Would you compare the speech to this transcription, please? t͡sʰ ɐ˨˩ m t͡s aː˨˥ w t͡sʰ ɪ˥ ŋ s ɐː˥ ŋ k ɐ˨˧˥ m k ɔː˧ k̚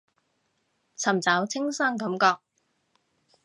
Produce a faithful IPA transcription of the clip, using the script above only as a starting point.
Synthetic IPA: t͡sʰ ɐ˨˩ m t͡s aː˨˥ w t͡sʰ ɪ˥ ŋ s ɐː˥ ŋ k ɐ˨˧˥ m k ɔː˧ k̚

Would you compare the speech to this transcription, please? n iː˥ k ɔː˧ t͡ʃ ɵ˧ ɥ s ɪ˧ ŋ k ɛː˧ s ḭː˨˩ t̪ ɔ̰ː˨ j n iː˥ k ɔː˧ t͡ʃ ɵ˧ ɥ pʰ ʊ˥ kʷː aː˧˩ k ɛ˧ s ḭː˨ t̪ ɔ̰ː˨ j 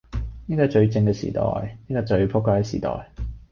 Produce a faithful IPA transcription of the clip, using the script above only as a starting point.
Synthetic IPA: n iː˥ k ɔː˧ t͡ʃ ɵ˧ ɥ t͡s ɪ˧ ŋ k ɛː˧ s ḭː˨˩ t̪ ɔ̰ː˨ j n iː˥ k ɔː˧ t͡ʃ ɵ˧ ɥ pʰ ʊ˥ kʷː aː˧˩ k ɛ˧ s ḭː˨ t̪ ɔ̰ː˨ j

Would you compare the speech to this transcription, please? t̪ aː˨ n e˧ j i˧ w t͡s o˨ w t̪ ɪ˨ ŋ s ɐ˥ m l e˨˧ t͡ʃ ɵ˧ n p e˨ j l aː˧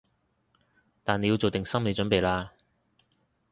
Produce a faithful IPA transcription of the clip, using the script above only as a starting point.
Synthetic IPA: t̪ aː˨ n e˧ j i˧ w t͡s o˨ w t̪ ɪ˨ ŋ s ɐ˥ m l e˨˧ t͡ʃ ɵ˨˥ n p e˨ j l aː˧

